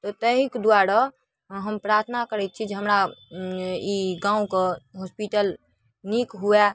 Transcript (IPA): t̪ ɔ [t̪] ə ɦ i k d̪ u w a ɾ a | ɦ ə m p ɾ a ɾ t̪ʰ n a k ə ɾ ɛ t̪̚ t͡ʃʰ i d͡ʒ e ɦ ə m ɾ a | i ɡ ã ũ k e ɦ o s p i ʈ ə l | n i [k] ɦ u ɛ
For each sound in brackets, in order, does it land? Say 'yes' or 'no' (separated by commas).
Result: yes, yes